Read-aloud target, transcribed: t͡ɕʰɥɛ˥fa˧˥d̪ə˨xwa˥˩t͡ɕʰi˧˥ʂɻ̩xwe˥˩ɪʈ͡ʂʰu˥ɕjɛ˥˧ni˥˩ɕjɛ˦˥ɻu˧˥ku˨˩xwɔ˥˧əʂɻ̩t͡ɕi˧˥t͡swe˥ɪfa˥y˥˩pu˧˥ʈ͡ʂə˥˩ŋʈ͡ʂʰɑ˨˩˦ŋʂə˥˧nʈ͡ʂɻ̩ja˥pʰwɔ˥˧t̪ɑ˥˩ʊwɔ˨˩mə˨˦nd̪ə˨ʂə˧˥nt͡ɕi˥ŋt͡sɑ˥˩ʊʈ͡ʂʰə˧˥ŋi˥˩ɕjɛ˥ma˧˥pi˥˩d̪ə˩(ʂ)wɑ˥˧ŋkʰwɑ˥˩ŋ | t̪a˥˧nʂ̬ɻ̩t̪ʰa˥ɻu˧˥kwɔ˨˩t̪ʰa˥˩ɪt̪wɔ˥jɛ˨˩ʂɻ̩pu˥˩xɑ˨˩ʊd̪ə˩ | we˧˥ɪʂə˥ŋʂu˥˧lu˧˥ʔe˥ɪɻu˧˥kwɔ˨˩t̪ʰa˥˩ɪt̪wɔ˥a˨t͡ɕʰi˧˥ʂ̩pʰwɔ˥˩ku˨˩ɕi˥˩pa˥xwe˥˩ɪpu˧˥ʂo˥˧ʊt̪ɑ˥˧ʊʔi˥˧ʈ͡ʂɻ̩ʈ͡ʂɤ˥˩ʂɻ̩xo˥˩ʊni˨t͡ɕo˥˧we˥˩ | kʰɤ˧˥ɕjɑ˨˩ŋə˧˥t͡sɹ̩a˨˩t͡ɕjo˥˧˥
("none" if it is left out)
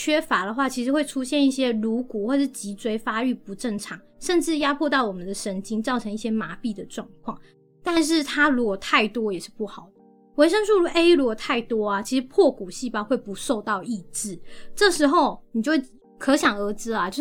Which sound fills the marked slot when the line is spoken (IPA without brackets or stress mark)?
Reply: ʈ͡ʂ